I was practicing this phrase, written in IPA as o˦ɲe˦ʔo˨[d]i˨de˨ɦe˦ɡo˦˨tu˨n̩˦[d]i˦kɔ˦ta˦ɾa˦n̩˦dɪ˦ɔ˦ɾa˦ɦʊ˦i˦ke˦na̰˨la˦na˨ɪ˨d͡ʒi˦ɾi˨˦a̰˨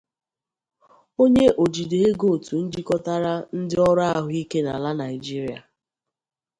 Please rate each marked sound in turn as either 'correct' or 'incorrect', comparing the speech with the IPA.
incorrect, incorrect

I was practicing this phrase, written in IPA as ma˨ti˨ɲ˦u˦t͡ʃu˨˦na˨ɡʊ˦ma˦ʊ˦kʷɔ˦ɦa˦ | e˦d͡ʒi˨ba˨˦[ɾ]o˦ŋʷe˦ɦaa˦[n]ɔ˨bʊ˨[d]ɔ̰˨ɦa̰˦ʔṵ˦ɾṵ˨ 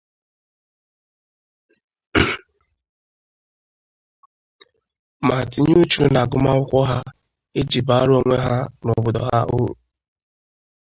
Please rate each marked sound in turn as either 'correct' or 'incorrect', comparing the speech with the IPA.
correct, correct, correct

